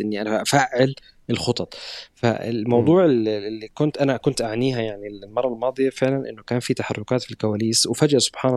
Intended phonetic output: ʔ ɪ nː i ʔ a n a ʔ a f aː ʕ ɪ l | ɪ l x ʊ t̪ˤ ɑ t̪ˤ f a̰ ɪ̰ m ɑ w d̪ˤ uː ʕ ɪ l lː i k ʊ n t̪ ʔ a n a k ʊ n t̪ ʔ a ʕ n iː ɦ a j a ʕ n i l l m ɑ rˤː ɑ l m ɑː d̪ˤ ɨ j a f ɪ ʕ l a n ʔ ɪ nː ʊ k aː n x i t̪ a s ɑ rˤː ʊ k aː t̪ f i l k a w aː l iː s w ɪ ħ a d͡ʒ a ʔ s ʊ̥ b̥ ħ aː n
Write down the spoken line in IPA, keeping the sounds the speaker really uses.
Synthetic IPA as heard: ʔ ɪ nː i ʔ a n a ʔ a f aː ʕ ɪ l | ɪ l x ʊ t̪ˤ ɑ t̪ˤ f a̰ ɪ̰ m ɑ w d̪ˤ uː ʕ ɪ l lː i k ʊ n t̪ ʔ a n a k ʊ n t̪ ʔ a ʕ n iː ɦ a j a ʕ n i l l m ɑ rˤː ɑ l m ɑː d̪ˤ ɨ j a f ɪ ʕ l a n ʔ ɪ nː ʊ k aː n f i t̪ a ħ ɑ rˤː ʊ k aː t̪ f i l k a w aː l iː s w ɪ f a d͡ʒ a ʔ s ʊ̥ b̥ ħ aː n